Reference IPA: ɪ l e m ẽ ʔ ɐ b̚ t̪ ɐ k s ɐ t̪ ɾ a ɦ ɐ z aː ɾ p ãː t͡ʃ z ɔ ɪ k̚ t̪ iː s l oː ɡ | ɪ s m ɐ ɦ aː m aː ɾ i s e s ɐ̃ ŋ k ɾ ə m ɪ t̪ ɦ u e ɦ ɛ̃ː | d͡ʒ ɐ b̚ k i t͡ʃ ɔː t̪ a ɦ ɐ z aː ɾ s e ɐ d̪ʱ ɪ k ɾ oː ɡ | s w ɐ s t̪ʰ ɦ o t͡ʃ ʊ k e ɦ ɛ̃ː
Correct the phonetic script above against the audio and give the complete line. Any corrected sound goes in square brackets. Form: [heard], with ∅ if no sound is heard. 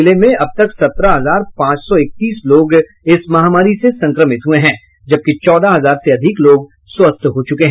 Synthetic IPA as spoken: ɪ l e m ẽ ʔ ɐ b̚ t̪ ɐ k s ɐ t̪ ɾ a ɦ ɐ z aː ɾ p ãː t͡ʃ [s] ɔ ɪ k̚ t̪ iː s l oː ɡ | ɪ s m ɐ ɦ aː m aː ɾ i s e s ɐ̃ ŋ k ɾ ə m ɪ t̪ ɦ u e ɦ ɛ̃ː | d͡ʒ ɐ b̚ k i t͡ʃ ɔː [d̪] a ɦ ɐ z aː ɾ s e ɐ d̪ʱ ɪ k [l] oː ɡ | s w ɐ s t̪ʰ ɦ o t͡ʃ ʊ k e ɦ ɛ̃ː